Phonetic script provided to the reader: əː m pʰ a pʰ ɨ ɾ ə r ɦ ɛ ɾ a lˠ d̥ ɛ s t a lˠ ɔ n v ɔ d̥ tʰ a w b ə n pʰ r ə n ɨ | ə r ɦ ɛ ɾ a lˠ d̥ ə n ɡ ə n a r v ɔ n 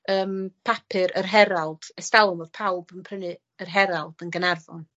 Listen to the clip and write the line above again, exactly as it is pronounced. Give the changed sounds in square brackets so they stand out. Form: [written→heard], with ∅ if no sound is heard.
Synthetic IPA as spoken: əː m pʰ a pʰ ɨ ɾ ə r ɦ ɛ ɾ a lˠ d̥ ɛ s t a lˠ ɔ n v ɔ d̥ [tʰ→pʰ] a w b ə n pʰ r ə n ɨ | ə r ɦ ɛ ɾ a lˠ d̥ ə n ɡ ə n a r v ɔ n